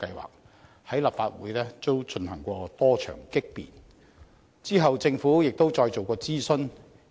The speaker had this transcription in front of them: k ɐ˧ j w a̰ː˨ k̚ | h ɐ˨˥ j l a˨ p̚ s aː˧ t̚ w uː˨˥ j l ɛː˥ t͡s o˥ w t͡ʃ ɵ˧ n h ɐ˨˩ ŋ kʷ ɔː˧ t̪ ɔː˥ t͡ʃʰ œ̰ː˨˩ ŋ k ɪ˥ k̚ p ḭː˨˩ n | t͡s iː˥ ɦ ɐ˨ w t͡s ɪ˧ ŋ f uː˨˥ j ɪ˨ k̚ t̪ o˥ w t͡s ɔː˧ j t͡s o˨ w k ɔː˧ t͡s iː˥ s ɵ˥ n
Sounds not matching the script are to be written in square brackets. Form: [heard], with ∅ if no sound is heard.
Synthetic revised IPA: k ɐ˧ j w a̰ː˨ k̚ | h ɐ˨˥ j l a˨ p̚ [f] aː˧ t̚ w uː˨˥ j l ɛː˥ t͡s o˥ w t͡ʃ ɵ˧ n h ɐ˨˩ ŋ kʷ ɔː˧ t̪ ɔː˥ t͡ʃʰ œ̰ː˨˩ ŋ k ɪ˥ k̚ p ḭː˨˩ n | t͡s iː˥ ɦ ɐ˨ w t͡s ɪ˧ ŋ f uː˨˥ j ɪ˨ k̚ t̪ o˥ w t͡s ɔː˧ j t͡s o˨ w k ɔː˧ t͡s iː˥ s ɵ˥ n